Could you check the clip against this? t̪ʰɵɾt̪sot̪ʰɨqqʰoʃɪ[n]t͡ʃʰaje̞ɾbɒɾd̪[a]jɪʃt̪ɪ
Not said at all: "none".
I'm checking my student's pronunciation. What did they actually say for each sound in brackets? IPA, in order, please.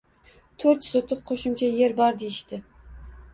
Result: m, e

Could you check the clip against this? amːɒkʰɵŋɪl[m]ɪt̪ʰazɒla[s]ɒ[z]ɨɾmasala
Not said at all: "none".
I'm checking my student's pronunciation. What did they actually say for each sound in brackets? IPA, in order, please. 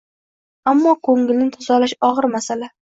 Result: n, ʃ, ʁ

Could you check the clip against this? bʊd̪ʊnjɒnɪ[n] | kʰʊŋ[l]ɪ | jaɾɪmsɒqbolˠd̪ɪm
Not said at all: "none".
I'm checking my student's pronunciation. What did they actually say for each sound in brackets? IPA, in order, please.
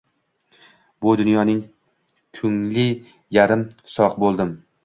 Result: ŋ, l

